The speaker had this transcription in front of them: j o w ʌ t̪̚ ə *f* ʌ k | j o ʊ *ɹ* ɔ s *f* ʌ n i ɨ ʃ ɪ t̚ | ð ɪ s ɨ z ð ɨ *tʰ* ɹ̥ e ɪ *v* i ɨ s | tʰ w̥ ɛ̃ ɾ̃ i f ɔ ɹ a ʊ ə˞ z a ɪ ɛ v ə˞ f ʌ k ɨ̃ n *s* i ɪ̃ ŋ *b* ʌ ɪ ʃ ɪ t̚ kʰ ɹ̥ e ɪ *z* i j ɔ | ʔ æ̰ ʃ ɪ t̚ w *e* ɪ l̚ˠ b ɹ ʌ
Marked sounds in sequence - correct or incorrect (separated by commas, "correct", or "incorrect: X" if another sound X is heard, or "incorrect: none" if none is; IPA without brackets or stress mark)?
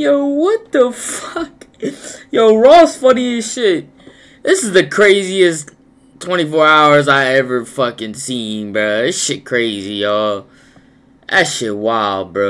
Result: correct, correct, correct, incorrect: kʰ, incorrect: z, correct, correct, correct, incorrect: a